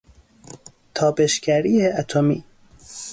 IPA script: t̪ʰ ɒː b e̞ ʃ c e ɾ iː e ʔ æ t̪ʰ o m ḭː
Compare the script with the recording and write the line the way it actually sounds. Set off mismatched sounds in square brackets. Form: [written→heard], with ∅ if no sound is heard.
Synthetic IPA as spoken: t̪ʰ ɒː b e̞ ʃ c [e→æ] ɾ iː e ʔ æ t̪ʰ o m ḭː